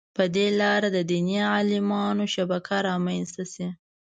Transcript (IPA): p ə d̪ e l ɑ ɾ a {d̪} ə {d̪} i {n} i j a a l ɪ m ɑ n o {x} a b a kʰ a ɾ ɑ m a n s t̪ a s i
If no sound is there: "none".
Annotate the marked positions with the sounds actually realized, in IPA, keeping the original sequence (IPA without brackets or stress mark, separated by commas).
d̪, d̪, n, ʃ